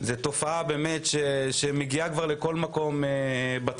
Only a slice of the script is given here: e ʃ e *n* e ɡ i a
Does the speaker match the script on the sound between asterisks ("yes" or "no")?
no